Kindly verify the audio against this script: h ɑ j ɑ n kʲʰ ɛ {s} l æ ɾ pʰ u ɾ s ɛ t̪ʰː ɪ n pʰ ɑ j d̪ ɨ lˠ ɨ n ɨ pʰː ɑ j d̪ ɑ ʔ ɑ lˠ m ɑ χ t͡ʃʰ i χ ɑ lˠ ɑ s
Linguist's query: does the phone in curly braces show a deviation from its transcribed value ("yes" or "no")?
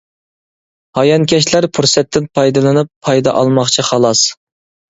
yes